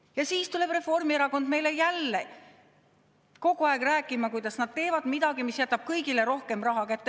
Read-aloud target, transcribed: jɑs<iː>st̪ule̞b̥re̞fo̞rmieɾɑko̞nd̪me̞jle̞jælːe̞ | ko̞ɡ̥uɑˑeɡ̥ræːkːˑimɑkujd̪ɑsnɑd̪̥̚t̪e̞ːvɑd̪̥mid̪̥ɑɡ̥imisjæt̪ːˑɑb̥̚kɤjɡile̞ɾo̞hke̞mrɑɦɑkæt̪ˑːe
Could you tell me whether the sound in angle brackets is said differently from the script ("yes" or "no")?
no